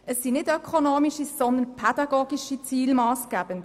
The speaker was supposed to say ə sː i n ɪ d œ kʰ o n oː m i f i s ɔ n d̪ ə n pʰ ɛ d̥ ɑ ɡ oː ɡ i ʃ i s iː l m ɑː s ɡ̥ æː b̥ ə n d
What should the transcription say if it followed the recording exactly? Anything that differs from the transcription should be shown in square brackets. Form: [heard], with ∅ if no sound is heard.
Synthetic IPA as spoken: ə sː i n ɪ d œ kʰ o n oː m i [ʃ] i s ɔ n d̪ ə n pʰ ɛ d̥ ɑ ɡ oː ɡ i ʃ i [t͡s] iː l m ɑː s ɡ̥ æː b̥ ə n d

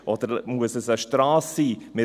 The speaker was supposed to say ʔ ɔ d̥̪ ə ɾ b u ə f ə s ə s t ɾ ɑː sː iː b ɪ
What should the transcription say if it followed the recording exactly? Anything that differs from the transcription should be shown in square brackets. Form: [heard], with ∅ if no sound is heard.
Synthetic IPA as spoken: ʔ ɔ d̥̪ ə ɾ [m] u ə [s] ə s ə [ʃ] t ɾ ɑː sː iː [m] ɪ

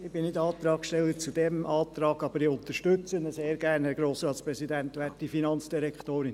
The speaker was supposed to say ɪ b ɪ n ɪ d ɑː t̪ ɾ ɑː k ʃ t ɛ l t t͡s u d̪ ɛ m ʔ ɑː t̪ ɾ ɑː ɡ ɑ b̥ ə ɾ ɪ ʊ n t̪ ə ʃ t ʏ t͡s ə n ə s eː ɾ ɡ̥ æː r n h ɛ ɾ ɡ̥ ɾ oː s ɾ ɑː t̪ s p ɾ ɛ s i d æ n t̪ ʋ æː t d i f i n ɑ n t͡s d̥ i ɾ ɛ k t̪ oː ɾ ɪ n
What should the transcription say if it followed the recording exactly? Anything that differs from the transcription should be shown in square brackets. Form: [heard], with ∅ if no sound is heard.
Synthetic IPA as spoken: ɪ b ɪ n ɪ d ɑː t̪ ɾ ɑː k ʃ t ɛ l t t͡s u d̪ ɛ m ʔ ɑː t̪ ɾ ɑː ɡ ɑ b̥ ə ɾ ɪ ʊ n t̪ ə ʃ t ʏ t͡s ə n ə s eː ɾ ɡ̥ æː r n h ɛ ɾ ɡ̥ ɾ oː s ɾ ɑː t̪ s p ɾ ɛ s i d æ n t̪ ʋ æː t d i f i n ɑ n t͡s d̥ i ɾ ɛ k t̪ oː ɾ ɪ n

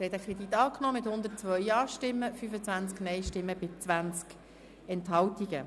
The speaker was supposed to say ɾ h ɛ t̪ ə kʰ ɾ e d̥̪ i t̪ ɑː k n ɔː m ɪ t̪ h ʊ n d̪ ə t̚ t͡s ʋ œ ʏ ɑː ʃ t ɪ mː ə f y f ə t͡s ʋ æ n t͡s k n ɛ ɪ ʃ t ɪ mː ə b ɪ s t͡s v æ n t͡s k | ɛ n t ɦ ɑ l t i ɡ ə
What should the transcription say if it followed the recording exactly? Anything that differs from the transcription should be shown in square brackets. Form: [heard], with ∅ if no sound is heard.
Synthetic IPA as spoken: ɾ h ɛ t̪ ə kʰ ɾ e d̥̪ i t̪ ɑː k n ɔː m ɪ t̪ h ʊ n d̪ ə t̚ t͡s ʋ œ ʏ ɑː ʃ t ɪ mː ə f y f ə t͡s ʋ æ n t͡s k n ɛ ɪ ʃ t ɪ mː ə b ɪ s t͡s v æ n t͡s k | ɛ n t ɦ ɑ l t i ɡ ə

